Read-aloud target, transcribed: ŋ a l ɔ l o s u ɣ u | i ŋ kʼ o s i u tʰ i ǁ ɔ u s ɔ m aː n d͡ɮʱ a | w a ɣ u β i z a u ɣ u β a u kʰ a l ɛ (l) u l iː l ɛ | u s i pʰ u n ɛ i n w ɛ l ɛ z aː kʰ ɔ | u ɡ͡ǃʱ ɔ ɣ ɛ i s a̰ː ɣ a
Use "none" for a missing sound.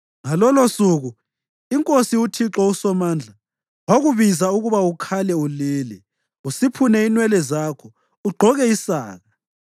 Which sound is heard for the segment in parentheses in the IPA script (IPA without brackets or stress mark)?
none